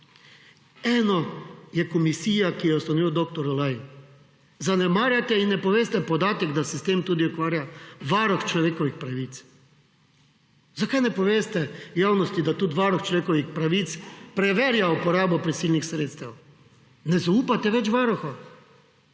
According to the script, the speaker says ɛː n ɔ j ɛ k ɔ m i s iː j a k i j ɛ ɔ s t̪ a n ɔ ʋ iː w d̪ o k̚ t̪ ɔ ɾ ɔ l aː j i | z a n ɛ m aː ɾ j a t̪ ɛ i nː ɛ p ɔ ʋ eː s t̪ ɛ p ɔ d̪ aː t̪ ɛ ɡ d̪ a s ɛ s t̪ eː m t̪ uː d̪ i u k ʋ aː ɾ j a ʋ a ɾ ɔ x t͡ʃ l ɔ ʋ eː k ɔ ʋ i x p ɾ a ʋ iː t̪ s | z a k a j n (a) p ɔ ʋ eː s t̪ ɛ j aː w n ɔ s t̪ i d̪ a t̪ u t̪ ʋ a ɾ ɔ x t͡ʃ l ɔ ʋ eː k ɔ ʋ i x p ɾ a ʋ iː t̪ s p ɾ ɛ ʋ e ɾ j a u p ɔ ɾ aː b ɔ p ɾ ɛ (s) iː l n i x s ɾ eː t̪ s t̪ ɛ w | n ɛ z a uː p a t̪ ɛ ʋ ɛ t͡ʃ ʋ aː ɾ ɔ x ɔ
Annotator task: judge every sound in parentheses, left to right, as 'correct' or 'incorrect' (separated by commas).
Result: incorrect, correct